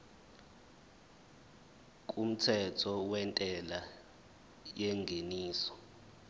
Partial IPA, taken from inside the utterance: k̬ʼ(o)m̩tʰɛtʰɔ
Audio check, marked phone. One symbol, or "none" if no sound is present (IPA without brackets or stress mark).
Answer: u